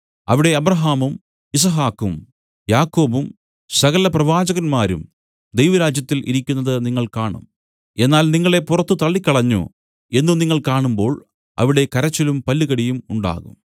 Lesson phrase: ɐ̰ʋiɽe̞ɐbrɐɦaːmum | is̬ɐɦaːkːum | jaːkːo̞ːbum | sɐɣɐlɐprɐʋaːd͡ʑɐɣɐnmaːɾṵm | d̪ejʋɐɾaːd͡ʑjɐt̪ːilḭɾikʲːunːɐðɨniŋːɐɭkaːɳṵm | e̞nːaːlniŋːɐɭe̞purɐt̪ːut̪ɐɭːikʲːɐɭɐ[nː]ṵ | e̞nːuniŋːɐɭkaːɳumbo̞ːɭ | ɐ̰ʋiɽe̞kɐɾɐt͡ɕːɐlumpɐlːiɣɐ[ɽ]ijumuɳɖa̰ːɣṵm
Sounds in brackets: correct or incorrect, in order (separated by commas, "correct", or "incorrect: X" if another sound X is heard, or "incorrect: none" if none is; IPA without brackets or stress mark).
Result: incorrect: ɲː, correct